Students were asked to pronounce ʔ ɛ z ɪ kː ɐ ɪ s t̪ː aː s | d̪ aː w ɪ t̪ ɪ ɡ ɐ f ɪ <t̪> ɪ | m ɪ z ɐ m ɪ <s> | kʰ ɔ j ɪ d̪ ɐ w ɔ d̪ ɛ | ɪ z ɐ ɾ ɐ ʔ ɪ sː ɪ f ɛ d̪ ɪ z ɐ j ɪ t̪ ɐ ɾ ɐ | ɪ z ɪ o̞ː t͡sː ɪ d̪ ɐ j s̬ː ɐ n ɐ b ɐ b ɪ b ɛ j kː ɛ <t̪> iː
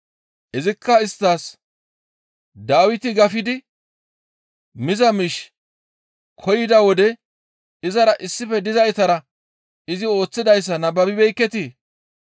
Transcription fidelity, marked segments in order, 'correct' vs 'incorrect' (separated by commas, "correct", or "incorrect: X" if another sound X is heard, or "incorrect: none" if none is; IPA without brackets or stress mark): incorrect: d̪, incorrect: ʃ, correct